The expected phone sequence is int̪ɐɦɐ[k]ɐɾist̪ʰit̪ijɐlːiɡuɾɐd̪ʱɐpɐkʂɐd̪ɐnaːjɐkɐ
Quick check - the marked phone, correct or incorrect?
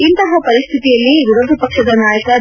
incorrect